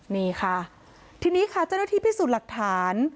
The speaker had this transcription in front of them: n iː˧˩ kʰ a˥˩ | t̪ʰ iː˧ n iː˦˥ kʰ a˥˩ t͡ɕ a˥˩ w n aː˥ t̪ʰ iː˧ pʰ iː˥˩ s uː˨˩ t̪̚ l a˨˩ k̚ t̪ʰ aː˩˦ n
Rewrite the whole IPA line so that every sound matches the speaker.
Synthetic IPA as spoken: n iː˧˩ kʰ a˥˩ | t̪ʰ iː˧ n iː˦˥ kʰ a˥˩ t͡ɕ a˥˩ w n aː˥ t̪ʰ iː˥˩ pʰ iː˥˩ s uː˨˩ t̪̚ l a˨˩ k̚ t̪ʰ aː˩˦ n